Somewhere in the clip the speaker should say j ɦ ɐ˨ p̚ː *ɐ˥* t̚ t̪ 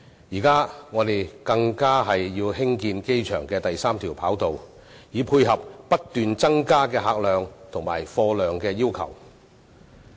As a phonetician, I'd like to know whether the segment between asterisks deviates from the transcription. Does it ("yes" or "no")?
no